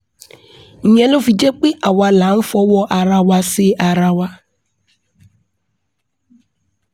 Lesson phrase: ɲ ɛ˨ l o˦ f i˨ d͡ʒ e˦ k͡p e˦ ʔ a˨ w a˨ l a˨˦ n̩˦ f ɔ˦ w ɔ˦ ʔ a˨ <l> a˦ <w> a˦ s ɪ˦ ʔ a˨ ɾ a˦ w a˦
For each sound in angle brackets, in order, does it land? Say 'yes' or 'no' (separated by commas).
no, yes